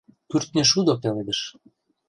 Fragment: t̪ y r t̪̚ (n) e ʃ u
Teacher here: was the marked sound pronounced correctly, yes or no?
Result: yes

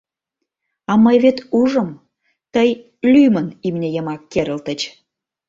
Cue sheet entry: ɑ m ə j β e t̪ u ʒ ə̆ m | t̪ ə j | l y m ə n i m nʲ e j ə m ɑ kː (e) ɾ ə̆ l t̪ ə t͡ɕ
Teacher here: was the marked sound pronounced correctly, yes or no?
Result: yes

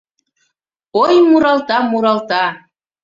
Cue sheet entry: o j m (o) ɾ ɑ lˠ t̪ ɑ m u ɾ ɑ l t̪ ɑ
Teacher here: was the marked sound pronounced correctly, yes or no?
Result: no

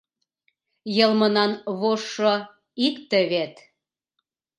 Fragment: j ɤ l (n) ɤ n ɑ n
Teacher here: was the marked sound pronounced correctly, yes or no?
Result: no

